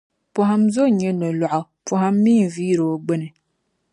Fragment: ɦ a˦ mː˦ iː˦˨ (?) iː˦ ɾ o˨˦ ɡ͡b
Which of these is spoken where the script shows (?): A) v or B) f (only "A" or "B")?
A